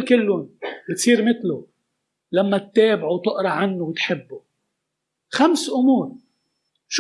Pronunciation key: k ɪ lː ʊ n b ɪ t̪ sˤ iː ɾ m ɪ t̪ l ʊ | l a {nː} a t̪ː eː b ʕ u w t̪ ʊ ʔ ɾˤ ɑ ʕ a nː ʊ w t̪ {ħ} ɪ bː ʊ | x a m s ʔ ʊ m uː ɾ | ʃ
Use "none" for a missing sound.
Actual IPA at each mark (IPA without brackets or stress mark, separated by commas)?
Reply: mː, ħ